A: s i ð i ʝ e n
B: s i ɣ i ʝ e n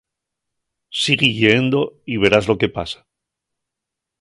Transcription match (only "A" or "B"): B